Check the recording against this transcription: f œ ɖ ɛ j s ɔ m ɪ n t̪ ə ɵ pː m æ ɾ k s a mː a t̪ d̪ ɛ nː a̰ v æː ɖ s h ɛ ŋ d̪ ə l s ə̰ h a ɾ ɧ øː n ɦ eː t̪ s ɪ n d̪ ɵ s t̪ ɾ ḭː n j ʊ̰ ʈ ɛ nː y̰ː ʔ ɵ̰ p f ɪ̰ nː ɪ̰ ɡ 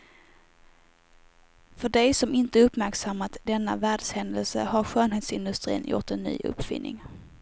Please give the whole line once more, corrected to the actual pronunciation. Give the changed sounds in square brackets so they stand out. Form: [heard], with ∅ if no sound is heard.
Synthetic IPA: f œ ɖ ɛ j s ɔ m ɪ n t̪ ə ɵ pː m æ ɾ k s a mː a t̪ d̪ ɛ nː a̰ v æː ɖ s h ɛ [n] d̪ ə l s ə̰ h a ɾ ɧ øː n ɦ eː t̪ s ɪ n d̪ ɵ s t̪ ɾ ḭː n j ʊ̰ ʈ ɛ nː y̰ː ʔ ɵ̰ p f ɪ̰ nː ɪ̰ [ŋ]